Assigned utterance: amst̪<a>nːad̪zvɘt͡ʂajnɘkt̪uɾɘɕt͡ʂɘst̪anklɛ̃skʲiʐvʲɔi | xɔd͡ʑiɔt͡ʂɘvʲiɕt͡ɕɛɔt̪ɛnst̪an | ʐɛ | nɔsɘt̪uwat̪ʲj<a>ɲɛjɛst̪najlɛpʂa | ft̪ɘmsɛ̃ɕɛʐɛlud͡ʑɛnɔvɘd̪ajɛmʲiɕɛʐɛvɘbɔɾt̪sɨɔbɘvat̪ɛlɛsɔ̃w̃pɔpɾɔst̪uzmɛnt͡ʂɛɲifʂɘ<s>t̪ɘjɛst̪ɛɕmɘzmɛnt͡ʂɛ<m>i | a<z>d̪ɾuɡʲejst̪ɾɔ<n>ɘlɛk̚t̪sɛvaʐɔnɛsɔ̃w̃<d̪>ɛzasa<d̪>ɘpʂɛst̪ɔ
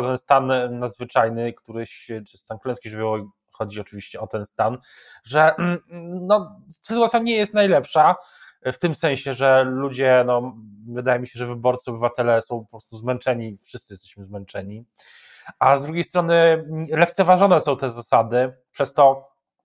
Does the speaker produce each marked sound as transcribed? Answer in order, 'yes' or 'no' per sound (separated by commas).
yes, yes, yes, no, yes, yes, no, yes